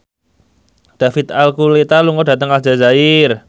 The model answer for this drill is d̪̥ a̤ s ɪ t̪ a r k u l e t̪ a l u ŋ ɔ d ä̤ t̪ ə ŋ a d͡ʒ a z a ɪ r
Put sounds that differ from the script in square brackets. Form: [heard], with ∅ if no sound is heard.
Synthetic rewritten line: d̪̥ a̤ [f] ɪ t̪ a [l] k u l e t̪ a l u ŋ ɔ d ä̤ t̪ ə ŋ a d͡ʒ a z a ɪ r